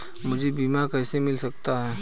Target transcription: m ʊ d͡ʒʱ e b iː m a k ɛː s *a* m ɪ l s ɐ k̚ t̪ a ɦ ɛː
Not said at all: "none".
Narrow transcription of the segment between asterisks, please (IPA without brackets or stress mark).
e